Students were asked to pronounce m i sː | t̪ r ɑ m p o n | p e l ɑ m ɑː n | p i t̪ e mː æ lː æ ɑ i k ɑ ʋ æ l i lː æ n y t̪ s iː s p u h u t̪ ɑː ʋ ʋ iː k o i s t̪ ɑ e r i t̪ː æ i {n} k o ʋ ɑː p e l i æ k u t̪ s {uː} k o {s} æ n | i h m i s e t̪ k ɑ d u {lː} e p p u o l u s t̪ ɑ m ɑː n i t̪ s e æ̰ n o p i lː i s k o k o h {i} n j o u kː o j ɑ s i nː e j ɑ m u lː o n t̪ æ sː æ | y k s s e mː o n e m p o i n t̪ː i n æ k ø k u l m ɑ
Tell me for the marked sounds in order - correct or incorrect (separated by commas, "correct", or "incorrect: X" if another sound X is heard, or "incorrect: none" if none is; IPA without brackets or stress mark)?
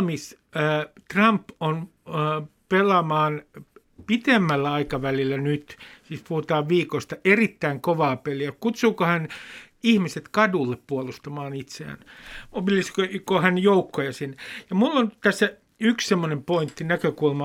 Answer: incorrect: ŋ, correct, incorrect: h, correct, incorrect: æ